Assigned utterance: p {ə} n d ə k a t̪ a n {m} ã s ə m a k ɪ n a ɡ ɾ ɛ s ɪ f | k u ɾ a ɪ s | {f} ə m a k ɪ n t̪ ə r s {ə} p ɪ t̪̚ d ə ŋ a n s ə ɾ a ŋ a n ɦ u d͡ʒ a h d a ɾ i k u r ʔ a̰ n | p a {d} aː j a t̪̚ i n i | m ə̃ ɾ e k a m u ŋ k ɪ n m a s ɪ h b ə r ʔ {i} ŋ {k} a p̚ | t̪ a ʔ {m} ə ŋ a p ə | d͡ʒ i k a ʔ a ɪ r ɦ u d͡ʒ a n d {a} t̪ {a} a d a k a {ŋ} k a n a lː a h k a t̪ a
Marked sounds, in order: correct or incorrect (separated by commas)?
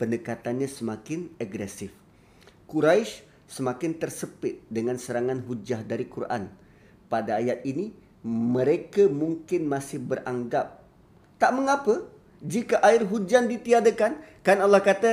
correct, incorrect, incorrect, correct, correct, incorrect, incorrect, correct, incorrect, incorrect, incorrect